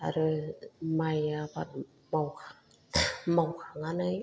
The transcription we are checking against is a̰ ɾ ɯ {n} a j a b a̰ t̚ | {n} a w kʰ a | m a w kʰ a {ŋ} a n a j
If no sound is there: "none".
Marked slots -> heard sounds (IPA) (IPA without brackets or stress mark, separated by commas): m, m, ŋ